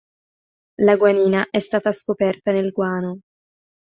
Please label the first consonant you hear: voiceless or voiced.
voiced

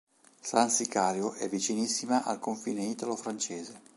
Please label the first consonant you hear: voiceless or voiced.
voiceless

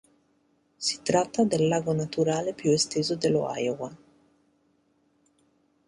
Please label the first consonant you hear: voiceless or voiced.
voiceless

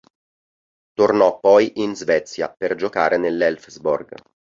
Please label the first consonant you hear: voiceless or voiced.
voiceless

